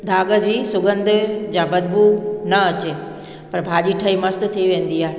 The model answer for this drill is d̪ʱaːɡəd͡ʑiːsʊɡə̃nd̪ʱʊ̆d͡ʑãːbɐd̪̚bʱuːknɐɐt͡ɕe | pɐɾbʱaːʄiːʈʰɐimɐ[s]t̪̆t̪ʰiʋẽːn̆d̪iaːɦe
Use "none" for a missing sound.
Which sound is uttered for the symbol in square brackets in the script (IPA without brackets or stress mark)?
s